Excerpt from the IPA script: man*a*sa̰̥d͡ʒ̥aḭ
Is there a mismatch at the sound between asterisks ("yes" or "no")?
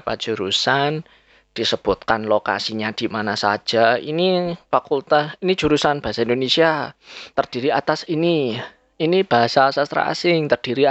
no